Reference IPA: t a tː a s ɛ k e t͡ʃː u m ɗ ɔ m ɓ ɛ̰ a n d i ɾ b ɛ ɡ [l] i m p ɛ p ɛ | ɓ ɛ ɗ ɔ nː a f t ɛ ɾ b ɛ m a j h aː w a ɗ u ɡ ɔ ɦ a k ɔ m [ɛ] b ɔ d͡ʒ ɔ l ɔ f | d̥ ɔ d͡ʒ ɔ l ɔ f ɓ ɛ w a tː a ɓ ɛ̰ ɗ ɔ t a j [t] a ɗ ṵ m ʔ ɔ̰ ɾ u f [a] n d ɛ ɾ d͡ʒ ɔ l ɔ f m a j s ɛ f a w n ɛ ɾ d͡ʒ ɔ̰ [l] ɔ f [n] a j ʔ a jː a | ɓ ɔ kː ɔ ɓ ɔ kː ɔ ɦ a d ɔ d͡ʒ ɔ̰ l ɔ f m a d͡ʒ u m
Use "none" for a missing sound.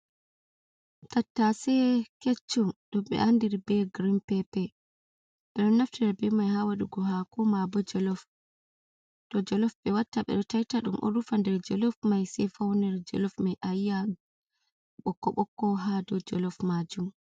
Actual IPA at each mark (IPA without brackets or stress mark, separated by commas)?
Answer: ɾ, a, t, a, l, m